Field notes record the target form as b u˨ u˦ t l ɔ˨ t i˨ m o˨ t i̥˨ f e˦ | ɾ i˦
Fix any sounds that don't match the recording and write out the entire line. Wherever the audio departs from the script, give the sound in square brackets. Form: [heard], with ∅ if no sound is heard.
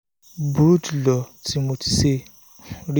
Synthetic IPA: b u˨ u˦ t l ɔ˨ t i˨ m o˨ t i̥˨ [s] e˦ | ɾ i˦